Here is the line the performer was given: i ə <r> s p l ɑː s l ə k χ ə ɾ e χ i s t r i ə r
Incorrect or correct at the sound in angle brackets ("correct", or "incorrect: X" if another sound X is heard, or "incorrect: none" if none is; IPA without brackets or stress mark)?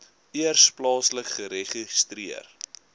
correct